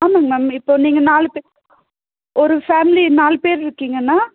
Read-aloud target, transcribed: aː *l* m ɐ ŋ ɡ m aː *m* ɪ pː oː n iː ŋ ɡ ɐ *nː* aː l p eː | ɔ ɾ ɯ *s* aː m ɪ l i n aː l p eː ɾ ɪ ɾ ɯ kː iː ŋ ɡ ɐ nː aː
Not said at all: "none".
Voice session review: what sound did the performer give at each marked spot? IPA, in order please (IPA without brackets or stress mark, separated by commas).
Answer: none, m, n, f